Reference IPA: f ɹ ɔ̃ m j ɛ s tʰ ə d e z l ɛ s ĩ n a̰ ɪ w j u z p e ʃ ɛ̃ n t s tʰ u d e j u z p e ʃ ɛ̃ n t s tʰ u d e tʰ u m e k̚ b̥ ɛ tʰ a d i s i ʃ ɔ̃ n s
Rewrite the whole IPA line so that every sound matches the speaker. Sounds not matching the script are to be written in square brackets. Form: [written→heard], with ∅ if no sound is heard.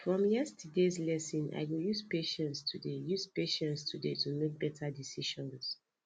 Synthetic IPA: f ɹ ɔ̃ m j ɛ s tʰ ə d e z l ɛ s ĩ n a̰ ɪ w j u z p e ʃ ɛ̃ n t s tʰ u d e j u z p e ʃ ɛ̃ n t s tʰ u d e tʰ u m e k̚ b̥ ɛ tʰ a d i s i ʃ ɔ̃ n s